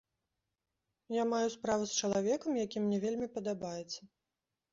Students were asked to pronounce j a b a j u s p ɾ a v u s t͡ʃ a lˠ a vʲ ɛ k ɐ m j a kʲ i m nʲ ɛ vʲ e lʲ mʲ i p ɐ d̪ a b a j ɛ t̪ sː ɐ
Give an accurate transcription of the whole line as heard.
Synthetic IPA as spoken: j a m a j u s p ɾ a v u s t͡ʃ ɐ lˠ a vʲ ɛ k ɐ m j a kʲ i m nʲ ɛ vʲ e lʲ mʲ i p ɐ d̪ a b a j ɛ t̪ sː ɐ